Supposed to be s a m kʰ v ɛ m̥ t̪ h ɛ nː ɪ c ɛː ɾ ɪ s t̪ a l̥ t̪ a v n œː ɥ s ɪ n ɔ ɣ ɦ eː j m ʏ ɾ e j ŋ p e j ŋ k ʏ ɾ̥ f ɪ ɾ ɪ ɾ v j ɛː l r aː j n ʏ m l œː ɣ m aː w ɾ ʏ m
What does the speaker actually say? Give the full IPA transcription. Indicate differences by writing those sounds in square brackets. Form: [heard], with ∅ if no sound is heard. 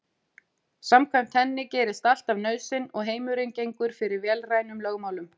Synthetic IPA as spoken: s a m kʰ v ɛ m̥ t̪ h ɛ nː ɪ c ɛː ɾ ɪ s t̪ a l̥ t̪ a v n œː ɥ s ɪ n ɔ ɣ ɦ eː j m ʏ ɾ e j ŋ [c] e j ŋ k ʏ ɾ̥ f ɪ ɾ ɪ ɾ v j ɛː l r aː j n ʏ m l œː ɣ m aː w [l] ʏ m